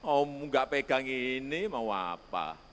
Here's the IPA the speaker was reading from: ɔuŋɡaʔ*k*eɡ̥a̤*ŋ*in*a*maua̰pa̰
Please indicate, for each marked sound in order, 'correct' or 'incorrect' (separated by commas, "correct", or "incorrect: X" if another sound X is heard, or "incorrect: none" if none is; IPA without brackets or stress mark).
incorrect: p, correct, incorrect: i